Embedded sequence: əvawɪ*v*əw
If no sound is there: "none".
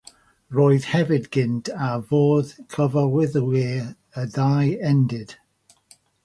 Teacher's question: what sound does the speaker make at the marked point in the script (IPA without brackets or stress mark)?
ð